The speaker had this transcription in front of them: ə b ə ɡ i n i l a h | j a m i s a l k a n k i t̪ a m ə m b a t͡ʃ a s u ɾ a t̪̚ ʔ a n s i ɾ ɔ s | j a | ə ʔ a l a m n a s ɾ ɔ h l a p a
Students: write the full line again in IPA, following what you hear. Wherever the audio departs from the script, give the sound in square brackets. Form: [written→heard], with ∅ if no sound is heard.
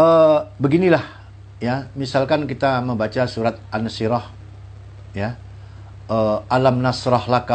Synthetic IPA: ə b ə ɡ i n i l a h | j a m i s a l k a n k i t̪ a m ə m b a t͡ʃ a s u ɾ a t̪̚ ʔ a n s i ɾ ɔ [s→h] | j a | ə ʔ a l a m n a s ɾ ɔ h l a [p→k] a